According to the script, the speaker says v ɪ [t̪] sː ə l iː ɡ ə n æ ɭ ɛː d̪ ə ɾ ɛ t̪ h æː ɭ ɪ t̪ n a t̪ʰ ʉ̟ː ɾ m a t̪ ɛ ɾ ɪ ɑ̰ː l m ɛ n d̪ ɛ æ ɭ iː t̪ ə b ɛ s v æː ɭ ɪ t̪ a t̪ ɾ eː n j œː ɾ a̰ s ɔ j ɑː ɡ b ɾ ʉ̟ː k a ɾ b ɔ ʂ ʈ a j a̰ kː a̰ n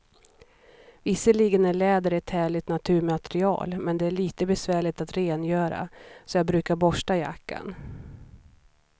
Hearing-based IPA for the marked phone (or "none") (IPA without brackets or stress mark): none